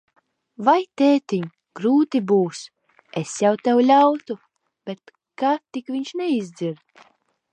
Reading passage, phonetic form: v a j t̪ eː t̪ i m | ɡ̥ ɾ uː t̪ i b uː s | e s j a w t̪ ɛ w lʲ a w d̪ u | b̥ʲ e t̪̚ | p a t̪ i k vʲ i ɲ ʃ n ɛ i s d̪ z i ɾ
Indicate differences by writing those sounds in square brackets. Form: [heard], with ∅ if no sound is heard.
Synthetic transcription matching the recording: v a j t̪ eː t̪ i [ɲ] | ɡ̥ ɾ uː t̪ i b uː s | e s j a w t̪ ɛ w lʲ a w [t̪] u | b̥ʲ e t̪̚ | [k] a t̪ i k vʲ i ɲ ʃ n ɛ i [z] d̪ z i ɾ